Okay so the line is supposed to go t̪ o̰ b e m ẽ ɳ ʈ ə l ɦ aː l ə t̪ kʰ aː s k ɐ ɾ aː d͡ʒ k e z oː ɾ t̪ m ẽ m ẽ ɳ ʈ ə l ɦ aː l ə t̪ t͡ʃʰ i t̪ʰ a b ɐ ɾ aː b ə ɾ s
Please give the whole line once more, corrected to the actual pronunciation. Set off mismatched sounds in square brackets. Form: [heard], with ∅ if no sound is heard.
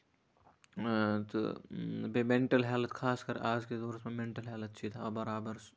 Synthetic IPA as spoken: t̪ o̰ b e m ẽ ɳ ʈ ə l ɦ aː l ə t̪ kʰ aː s k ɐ ɾ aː d͡ʒ k e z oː ɾ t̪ m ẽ m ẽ ɳ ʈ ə l ɦ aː l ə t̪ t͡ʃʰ i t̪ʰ a b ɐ ɾ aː b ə ɾ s